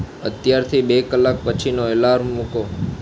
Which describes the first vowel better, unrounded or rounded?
unrounded